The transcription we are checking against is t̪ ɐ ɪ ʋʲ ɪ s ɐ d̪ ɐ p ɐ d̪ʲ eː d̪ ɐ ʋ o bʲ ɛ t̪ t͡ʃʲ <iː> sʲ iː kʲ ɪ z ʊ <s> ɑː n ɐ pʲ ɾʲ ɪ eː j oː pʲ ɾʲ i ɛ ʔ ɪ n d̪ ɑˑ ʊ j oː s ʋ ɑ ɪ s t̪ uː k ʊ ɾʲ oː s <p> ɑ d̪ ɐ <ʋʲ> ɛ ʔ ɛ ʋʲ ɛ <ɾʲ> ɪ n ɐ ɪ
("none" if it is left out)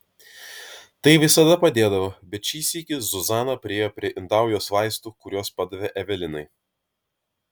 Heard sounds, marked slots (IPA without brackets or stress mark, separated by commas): iː, z, p, ʋʲ, lʲ